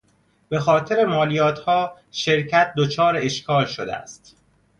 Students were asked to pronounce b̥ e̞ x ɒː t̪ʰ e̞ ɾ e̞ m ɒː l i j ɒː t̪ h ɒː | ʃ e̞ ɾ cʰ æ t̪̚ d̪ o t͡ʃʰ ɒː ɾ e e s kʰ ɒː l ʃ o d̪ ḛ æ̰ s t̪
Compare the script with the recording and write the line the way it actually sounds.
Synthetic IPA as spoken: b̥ e̞ x ɒː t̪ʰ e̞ ɾ e̞ m ɒː l i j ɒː t̪ h ɒː | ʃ e̞ ɾ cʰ æ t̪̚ d̪ o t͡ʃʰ ɒː ɾ e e ʃ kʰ ɒː l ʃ o d̪ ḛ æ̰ s t̪